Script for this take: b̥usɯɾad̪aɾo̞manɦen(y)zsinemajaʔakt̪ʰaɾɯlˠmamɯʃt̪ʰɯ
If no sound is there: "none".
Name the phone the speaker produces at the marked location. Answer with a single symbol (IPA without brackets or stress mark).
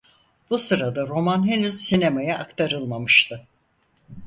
y